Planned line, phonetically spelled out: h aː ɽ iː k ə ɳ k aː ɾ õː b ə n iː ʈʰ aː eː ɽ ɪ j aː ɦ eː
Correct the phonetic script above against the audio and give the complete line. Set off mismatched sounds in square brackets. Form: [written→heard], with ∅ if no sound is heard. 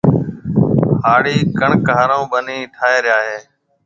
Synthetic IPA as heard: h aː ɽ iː k ə ɳ k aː ɾ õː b ə n iː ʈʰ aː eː [ɽ→ɾ] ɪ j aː ɦ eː